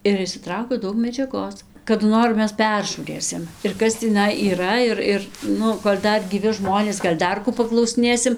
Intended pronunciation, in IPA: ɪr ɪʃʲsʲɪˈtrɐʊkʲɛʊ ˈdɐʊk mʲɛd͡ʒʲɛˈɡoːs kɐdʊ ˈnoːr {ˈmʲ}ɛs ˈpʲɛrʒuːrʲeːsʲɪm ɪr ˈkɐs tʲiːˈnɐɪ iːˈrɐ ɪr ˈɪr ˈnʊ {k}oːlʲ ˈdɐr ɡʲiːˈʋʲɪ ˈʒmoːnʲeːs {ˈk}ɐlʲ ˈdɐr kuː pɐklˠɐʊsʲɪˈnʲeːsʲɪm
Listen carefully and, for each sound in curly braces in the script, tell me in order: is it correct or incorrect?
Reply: correct, correct, incorrect

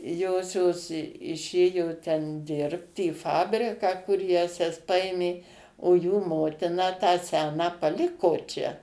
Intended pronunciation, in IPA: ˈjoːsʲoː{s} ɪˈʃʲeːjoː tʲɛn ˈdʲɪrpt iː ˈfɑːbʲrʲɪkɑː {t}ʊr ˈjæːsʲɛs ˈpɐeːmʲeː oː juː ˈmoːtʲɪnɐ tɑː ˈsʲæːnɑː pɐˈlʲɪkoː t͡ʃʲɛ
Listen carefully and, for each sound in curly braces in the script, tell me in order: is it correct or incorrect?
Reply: correct, incorrect

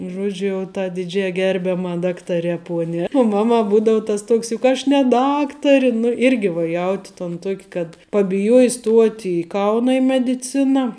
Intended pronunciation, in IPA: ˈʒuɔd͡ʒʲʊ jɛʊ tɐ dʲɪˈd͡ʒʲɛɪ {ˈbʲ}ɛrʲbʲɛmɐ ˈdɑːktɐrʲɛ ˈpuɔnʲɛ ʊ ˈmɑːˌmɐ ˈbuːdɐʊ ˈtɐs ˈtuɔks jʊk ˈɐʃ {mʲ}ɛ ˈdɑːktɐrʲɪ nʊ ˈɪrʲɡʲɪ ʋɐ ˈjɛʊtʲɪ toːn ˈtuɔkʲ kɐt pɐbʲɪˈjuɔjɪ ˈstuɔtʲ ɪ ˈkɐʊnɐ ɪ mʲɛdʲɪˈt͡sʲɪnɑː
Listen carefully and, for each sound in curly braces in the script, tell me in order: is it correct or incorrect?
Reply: incorrect, incorrect

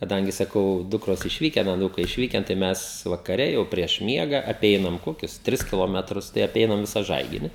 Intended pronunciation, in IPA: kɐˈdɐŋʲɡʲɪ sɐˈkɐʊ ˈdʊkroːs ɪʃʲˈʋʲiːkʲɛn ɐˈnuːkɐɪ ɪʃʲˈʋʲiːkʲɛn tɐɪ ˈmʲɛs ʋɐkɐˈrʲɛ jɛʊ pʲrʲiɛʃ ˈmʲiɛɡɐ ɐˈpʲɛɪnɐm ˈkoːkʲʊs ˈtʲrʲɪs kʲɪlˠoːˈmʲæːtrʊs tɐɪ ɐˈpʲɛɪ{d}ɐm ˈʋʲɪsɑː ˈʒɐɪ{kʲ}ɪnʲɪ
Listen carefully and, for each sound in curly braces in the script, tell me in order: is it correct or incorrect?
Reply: incorrect, incorrect

